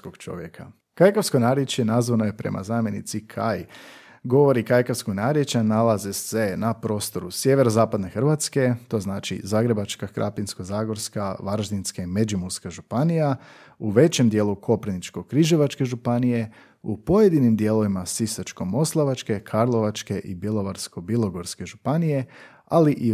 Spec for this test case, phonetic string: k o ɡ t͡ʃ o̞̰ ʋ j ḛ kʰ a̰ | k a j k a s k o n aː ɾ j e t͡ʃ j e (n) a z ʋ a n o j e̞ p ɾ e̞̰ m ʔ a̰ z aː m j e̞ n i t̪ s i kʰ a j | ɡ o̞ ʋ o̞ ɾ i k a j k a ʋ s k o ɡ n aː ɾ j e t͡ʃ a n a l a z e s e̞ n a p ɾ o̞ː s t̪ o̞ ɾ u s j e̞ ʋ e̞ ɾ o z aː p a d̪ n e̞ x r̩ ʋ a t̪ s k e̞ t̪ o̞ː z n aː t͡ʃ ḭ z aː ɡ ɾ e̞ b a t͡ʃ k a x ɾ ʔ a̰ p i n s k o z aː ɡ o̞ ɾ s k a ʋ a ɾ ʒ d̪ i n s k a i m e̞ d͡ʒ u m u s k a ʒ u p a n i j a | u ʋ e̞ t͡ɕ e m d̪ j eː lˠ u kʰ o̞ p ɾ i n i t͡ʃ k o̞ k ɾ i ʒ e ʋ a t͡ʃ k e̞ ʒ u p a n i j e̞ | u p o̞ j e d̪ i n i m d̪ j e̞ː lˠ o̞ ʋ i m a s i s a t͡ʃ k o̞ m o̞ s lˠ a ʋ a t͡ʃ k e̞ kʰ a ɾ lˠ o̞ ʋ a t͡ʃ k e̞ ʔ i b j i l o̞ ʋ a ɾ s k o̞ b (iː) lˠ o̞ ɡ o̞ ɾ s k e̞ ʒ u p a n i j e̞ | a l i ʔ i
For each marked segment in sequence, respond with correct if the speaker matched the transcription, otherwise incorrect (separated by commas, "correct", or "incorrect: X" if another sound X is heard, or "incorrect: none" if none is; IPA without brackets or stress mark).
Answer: correct, incorrect: i